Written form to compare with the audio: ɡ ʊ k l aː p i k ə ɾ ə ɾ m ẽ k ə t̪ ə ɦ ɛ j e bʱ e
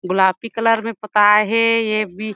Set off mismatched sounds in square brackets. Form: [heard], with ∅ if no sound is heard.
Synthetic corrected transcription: ɡ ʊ [∅] l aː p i k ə [l] ə ɾ m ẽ [p] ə t̪ [a] ɦ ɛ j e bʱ [i]

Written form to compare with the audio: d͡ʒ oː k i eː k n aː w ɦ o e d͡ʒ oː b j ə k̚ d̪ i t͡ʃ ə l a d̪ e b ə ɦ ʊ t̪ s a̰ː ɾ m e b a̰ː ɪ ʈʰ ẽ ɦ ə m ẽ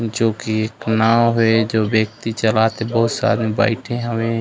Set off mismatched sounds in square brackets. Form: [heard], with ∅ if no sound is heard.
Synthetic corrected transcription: d͡ʒ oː k i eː k n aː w ɦ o e d͡ʒ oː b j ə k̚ [t̪] i t͡ʃ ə l a [t̪] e b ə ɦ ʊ t̪ s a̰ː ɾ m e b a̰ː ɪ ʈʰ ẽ ɦ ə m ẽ

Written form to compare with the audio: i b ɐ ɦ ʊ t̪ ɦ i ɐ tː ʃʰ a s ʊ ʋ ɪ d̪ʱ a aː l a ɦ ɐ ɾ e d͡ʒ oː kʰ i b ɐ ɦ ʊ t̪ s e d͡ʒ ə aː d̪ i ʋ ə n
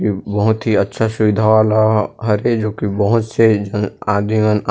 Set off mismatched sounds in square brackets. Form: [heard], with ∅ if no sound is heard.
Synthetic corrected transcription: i b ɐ ɦ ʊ t̪ ɦ i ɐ tː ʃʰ a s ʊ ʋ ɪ d̪ʱ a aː l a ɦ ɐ ɾ e d͡ʒ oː [k] i b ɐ ɦ ʊ t̪ s e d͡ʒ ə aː d̪ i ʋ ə n

